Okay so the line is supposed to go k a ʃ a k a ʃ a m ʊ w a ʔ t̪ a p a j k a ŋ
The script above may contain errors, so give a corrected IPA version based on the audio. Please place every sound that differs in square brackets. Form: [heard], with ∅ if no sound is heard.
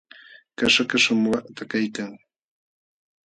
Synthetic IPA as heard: k a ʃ a k a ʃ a m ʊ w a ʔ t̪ a [k] a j k a ŋ